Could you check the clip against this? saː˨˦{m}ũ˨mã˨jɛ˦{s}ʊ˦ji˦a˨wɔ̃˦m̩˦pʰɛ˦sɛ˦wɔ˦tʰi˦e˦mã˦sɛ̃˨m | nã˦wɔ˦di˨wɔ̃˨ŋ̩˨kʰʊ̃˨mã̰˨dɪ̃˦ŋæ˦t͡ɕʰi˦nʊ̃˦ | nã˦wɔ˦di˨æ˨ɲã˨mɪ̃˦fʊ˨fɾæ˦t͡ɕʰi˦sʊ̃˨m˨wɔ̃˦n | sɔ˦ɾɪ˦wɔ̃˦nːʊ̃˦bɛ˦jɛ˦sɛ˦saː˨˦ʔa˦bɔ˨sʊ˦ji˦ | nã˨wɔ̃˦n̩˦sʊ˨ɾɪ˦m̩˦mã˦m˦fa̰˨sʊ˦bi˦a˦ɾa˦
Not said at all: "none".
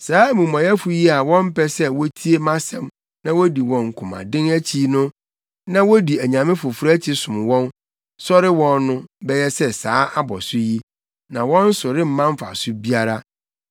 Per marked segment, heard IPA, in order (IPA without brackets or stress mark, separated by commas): m, f